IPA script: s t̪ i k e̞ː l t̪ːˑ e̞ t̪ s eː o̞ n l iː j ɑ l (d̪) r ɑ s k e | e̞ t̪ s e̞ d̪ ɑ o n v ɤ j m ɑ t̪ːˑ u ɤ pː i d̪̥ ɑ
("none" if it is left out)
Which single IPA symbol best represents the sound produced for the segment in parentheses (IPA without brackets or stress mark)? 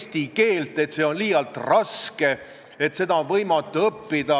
t̪